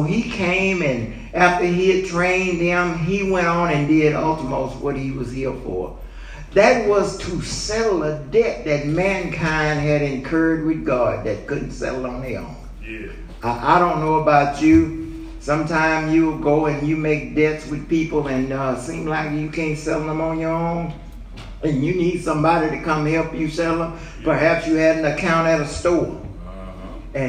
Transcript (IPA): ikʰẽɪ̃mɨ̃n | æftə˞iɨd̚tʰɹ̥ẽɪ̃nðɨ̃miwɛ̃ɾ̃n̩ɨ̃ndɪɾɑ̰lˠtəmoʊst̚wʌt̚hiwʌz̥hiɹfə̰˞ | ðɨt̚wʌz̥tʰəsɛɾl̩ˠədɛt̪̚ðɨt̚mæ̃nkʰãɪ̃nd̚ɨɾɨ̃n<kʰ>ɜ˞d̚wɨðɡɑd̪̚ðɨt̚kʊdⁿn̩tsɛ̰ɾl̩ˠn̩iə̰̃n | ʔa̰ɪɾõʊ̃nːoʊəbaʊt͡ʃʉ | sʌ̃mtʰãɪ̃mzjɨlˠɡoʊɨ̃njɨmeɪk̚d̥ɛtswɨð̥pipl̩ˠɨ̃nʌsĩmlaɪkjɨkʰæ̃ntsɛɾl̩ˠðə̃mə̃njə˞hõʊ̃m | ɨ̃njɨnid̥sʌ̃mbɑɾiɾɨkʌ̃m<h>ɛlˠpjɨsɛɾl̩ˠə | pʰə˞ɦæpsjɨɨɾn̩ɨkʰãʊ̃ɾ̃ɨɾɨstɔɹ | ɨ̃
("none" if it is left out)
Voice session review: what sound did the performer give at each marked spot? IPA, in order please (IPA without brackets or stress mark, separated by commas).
kʰ, h